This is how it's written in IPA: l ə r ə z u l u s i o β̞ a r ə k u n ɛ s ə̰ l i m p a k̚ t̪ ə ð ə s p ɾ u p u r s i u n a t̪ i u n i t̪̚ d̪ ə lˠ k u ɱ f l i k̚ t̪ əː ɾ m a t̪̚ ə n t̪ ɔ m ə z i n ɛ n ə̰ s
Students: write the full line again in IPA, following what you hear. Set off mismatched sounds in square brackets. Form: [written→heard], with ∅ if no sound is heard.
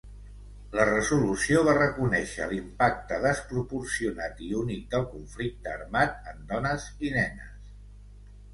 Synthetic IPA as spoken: l ə r ə z u l u s i o β̞ a r ə k u n ɛ [s→ʃ] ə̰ l i m p a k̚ t̪ ə ð ə s p ɾ u p u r s i u n a t̪ i u n i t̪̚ d̪ ə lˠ k u ɱ f l i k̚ t̪ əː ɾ m a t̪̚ ə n [t̪→d̪] ɔ [m→n] ə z i n ɛ n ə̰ s